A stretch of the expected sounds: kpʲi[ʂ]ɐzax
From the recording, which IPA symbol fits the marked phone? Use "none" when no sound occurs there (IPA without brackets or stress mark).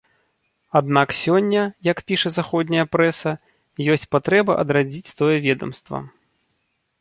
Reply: ʂ